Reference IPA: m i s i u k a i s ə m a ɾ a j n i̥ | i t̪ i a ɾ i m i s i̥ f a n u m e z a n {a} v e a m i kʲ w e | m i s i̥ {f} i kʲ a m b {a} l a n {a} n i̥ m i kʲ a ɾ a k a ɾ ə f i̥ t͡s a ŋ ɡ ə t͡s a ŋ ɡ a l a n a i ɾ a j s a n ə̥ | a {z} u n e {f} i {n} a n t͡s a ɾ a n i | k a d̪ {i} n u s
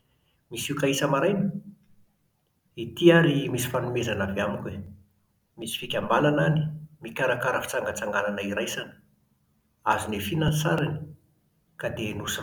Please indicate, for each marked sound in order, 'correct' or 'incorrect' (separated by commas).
correct, correct, correct, correct, correct, correct, correct, incorrect